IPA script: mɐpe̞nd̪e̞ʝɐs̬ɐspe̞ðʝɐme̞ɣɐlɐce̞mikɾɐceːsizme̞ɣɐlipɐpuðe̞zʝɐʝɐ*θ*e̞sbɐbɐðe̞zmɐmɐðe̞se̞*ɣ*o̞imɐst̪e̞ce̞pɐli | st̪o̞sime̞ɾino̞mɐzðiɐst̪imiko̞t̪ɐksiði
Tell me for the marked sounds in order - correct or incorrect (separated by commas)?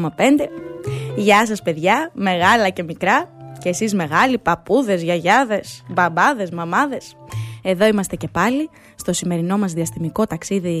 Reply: incorrect, incorrect